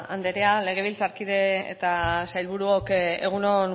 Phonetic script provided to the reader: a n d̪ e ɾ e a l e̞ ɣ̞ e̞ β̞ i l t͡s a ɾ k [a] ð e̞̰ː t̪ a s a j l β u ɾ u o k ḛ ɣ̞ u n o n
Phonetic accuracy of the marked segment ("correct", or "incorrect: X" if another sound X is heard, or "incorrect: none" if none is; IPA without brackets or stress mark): incorrect: i